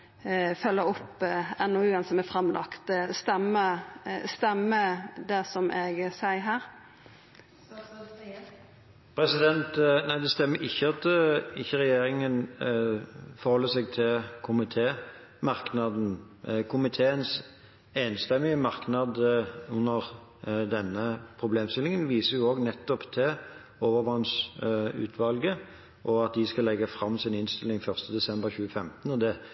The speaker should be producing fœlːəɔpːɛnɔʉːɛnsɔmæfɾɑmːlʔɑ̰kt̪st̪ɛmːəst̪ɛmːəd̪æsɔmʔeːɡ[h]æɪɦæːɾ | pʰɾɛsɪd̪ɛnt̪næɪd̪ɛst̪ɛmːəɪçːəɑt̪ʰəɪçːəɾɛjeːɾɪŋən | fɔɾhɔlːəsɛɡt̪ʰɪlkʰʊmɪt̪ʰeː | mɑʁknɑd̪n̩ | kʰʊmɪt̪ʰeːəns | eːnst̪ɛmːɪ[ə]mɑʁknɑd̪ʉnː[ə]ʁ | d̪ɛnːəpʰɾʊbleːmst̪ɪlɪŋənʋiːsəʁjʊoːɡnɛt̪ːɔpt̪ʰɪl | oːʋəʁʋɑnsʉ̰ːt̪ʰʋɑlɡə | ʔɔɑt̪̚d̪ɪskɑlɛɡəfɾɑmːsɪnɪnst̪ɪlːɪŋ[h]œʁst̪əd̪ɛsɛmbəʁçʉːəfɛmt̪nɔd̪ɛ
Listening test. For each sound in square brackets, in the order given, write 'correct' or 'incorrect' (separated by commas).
incorrect, correct, correct, incorrect